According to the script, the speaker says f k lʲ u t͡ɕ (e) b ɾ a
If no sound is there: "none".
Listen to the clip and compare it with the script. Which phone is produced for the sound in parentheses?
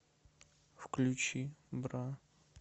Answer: i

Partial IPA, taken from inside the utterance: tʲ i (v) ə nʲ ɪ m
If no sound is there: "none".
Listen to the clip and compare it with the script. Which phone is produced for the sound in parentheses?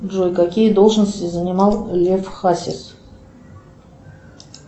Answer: z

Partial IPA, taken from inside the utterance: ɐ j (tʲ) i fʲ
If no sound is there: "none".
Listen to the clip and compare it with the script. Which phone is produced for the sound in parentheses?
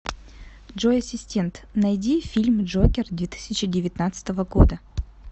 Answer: dʲ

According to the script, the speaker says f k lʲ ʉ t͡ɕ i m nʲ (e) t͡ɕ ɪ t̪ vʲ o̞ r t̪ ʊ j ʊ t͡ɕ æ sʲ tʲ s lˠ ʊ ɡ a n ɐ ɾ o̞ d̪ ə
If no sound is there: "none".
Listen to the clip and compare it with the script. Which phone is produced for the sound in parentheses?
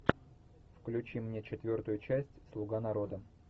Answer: e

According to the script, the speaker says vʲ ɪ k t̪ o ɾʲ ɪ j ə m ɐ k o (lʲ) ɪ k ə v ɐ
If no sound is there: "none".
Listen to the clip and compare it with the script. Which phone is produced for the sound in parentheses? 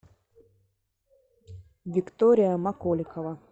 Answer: lʲ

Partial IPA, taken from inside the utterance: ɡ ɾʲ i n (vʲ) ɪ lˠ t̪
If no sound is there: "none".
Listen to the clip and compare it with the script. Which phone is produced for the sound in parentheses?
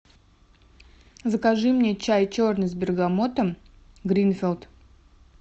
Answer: fʲ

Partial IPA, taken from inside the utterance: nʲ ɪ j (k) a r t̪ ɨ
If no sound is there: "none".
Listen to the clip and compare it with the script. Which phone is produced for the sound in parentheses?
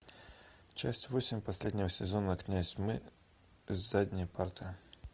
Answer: p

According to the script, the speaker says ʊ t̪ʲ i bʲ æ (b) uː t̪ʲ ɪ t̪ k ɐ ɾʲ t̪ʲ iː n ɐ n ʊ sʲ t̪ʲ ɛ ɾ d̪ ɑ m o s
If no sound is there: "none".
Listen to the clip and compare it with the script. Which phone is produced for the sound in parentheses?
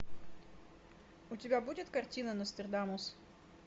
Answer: b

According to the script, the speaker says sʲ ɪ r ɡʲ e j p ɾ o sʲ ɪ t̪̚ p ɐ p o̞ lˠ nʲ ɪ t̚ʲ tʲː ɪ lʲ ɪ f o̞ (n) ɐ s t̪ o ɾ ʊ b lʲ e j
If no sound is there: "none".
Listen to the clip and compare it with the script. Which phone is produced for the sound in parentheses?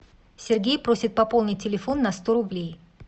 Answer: nː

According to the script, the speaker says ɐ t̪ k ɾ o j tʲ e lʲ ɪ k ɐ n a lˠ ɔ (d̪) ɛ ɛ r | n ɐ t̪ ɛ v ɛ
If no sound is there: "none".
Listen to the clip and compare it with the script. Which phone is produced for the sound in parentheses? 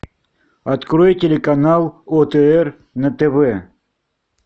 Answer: t̪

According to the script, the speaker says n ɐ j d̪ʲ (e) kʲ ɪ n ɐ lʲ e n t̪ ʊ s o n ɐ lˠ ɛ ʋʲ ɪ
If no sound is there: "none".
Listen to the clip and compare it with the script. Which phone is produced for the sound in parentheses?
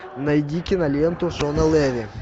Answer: i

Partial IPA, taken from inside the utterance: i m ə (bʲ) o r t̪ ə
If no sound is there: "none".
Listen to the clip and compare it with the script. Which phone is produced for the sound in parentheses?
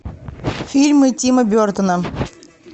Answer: bʲ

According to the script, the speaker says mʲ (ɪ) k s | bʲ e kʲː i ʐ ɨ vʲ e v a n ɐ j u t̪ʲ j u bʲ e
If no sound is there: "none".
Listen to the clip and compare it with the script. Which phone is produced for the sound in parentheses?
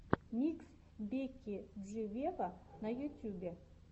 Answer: i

